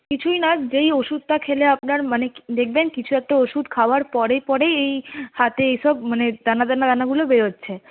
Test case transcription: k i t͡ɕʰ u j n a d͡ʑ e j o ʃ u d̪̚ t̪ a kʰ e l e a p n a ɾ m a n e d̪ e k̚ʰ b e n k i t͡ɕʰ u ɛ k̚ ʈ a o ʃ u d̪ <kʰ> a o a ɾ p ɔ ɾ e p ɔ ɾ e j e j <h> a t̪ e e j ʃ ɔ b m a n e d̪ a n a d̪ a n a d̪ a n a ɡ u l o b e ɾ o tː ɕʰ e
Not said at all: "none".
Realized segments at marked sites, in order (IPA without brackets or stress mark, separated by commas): kʰ, h